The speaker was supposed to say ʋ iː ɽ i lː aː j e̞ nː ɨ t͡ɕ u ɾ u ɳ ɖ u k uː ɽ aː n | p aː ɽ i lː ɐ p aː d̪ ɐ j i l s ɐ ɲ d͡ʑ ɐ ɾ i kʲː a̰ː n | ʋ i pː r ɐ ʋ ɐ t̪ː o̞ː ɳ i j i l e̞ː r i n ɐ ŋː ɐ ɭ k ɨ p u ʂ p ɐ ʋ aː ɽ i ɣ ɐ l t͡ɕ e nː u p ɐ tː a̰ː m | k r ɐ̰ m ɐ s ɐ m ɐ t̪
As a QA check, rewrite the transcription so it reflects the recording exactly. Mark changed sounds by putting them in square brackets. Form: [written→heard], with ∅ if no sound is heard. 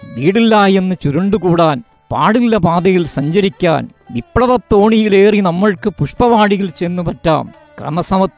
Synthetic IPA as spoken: ʋ iː ɽ i lː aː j e̞ nː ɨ t͡ɕ u ɾ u ɳ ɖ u k uː ɽ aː n | p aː ɽ i lː ɐ p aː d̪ ɐ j i l s ɐ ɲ d͡ʑ ɐ ɾ i kʲː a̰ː n | ʋ i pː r ɐ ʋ ɐ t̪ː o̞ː ɳ i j i l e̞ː r i n ɐ [ŋː→mː] ɐ ɭ k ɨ p u ʂ p ɐ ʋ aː ɽ i ɣ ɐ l t͡ɕ e nː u p ɐ tː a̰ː m | k r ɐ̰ m ɐ s ɐ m ɐ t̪